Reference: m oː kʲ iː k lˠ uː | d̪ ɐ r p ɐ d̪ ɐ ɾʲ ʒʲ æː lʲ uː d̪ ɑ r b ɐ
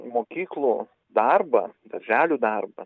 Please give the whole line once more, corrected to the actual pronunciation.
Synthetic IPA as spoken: m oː kʲ iː k lˠ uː | d̪ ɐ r b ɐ d̪ ɐ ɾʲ ʒʲ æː lʲ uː d̪ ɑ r b ɐ

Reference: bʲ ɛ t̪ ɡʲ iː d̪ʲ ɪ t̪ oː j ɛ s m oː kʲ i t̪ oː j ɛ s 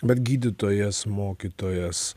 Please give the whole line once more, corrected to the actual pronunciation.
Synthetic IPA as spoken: bʲ ɛ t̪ ɡʲ iː d̪ʲ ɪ t̪ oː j ɛ s m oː kʲ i t̪ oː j ɛ s

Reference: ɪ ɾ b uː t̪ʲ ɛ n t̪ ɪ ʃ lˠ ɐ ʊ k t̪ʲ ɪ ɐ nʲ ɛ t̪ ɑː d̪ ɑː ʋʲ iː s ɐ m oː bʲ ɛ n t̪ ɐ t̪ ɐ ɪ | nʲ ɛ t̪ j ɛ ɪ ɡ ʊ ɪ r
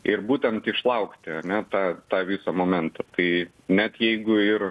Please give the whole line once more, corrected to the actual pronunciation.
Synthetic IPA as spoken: ɪ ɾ b uː t̪ʲ ɛ n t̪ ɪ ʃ lˠ ɐ ʊ k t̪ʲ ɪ ɐ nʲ ɛ t̪ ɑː t̪ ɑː ʋʲ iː s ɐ m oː mʲ ɛ n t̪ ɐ t̪ ɐ ɪ | nʲ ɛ t̪ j ɛ ɪ ɡ ʊ ɪ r

